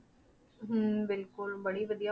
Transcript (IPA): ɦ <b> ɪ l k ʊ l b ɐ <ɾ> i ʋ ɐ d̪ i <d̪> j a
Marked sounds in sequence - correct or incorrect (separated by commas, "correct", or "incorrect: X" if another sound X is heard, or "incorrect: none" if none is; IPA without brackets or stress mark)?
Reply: correct, incorrect: ɽ, incorrect: none